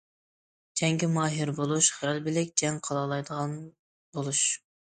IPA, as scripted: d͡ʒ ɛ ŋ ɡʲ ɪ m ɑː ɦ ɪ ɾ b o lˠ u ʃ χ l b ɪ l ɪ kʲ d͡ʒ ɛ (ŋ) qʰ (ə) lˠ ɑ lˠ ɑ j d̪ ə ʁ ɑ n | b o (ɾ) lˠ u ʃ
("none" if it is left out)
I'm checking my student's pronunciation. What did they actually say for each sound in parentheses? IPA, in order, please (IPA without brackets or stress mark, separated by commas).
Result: ŋ, ɑ, none